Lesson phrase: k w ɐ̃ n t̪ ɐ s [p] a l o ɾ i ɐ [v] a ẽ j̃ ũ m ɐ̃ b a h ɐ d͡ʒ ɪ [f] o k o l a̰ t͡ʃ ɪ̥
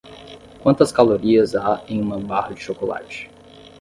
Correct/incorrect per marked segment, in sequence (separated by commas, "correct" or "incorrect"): incorrect, incorrect, incorrect